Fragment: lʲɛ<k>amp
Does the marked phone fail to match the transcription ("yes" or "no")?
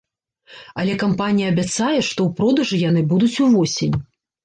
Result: no